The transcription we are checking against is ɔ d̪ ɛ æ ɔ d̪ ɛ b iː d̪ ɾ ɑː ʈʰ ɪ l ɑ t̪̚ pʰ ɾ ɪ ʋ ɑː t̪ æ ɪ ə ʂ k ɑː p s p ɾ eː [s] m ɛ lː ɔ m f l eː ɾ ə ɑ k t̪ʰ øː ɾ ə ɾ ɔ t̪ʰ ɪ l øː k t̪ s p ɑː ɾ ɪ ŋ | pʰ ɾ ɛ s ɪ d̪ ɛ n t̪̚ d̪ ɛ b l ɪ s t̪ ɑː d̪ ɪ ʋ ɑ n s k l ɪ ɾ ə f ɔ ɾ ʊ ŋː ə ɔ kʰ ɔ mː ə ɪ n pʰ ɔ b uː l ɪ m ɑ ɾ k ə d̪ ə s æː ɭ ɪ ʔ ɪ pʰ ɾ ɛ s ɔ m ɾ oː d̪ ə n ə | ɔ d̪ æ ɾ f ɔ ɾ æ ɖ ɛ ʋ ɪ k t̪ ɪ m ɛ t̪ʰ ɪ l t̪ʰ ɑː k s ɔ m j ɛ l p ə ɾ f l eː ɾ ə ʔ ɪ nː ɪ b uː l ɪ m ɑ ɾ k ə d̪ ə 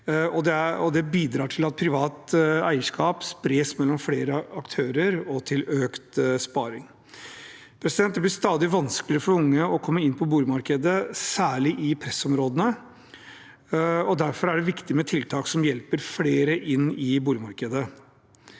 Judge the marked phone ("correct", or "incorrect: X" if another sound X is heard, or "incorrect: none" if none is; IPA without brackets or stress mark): correct